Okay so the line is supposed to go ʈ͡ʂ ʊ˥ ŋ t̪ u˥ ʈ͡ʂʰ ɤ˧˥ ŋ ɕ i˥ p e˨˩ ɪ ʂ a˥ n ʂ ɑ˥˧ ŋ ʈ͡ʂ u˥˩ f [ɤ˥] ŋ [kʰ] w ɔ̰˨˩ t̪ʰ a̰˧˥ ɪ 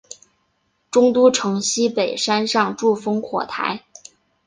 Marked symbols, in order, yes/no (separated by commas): yes, yes